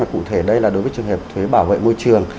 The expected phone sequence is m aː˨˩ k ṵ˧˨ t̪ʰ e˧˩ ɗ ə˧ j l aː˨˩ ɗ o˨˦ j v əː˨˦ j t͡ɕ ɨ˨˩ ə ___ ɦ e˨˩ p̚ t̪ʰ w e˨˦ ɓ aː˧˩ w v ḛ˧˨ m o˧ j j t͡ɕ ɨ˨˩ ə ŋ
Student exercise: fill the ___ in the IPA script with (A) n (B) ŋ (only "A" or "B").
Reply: B